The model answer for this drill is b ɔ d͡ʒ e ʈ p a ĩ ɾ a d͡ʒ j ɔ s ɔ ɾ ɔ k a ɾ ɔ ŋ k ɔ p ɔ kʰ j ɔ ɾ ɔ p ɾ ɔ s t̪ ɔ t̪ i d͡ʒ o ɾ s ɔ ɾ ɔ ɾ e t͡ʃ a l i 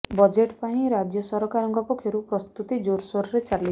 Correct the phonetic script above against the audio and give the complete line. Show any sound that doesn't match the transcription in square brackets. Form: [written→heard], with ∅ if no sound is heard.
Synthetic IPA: b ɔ d͡ʒ e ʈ p a ĩ ɾ a d͡ʒ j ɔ s ɔ ɾ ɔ k a ɾ ɔ ŋ k ɔ p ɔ kʰ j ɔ ɾ [ɔ→u] p ɾ ɔ s t̪ [ɔ→u] t̪ i d͡ʒ o ɾ s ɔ ɾ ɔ ɾ e t͡ʃ a l i